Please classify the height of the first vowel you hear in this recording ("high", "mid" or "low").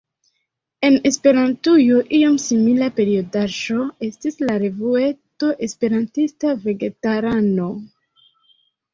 mid